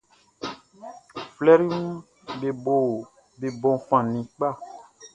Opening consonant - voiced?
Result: no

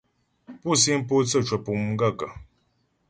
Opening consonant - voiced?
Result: no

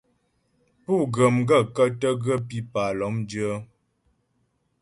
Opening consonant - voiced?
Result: no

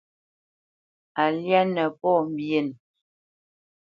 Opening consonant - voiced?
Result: yes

